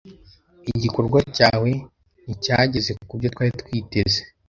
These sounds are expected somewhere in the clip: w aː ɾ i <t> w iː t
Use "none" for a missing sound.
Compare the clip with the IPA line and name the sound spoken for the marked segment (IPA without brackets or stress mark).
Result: t